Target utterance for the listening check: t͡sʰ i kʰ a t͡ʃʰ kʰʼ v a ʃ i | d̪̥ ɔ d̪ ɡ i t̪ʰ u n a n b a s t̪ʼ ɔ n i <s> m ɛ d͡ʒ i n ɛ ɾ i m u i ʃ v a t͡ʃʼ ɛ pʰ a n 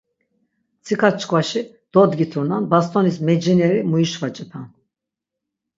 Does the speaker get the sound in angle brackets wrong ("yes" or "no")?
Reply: no